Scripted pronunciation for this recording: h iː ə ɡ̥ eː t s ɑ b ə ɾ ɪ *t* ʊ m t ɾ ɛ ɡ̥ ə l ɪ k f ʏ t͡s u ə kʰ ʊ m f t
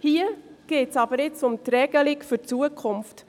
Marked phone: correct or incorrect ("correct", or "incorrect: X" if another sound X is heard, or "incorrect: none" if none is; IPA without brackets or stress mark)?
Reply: incorrect: t͡s